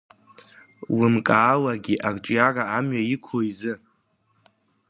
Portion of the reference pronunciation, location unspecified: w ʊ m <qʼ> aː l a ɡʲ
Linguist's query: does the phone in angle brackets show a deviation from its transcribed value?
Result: yes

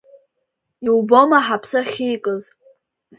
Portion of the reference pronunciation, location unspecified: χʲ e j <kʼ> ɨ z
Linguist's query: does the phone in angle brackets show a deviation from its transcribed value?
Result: no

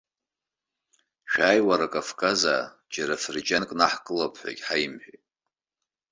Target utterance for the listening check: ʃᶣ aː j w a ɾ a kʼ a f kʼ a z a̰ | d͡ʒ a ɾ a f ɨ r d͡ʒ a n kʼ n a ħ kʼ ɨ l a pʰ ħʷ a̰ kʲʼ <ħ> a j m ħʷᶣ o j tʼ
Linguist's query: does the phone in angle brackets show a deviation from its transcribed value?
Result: no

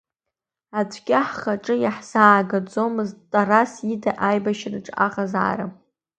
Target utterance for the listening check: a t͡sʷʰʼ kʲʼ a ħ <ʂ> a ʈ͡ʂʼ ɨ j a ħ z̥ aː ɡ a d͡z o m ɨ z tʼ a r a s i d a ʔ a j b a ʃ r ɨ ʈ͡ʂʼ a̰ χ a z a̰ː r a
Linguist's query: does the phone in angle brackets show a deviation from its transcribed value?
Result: yes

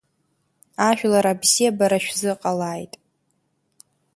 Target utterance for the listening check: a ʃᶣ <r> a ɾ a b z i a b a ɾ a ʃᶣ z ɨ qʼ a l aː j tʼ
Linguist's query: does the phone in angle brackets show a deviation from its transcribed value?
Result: yes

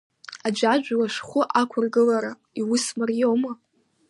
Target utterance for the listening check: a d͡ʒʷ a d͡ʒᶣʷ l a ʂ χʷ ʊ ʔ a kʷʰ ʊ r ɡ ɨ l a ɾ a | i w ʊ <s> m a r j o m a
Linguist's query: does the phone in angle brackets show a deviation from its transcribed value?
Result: no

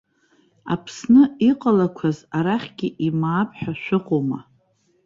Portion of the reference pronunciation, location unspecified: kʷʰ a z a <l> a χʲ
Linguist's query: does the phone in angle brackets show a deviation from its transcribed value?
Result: yes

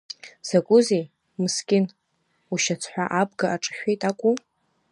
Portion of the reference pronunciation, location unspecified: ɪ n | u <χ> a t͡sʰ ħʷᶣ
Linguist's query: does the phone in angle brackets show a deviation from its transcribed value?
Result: yes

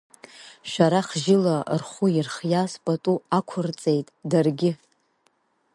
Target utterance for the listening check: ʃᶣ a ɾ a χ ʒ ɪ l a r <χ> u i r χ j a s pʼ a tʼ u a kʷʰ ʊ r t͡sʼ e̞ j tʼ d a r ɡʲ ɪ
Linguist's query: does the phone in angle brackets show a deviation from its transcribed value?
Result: no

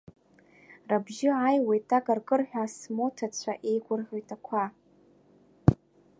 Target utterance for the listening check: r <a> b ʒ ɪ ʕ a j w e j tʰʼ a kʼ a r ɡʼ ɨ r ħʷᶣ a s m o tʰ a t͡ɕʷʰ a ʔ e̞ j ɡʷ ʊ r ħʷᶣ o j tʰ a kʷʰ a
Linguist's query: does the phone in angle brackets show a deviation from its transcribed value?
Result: no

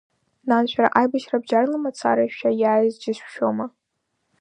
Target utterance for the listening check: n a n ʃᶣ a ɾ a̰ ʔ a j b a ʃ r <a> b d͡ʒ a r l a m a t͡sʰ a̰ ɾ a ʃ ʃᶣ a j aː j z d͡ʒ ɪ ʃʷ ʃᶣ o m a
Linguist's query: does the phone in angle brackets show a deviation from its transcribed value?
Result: no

